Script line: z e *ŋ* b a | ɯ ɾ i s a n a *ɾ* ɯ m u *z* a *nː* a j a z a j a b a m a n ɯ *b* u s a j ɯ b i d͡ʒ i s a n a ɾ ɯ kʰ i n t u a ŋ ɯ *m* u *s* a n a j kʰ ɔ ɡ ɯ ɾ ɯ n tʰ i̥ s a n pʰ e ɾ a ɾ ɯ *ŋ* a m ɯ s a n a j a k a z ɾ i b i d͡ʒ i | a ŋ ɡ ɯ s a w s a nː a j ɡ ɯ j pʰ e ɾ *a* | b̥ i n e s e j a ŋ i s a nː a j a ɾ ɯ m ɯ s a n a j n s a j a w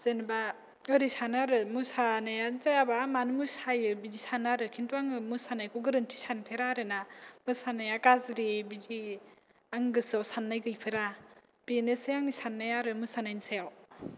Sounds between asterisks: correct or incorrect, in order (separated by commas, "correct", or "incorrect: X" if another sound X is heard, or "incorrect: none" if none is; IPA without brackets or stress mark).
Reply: incorrect: n, correct, incorrect: s, incorrect: n, incorrect: m, correct, correct, incorrect: n, correct